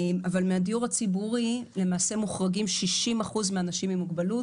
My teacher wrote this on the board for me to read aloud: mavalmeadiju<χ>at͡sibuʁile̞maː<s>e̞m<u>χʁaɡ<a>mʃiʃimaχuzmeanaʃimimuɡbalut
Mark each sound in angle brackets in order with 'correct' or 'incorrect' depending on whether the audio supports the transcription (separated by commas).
incorrect, correct, correct, incorrect